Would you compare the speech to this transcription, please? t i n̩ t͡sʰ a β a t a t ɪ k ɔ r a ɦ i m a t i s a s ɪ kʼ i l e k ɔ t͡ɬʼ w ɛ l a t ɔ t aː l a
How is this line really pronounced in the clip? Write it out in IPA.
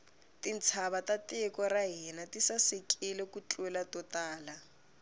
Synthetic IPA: t i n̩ t͡sʰ a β a t a t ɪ k ɔ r a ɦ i n a t i s a s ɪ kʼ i l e k u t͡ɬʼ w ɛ l a t ɔ t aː l a